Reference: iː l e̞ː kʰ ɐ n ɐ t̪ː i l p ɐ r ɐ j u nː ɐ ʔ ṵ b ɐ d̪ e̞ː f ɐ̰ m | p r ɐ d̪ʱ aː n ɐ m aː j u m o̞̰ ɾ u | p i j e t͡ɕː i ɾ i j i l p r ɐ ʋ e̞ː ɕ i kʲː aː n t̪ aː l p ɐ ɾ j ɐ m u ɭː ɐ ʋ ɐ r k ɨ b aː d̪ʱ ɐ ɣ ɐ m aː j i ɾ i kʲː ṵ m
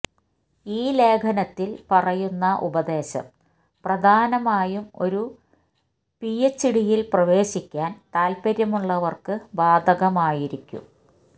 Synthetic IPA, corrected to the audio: iː l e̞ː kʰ ɐ n ɐ t̪ː i l p ɐ r ɐ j u nː ɐ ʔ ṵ b ɐ d̪ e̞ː ɕ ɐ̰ m | p r ɐ d̪ʱ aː n ɐ m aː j u m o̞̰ ɾ u | p i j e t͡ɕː i ɽ i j i l p r ɐ ʋ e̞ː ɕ i kʲː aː n t̪ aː l p ɐ ɾ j ɐ m u ɭː ɐ ʋ ɐ r k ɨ b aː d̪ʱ ɐ ɣ ɐ m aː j i ɾ i kʲː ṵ m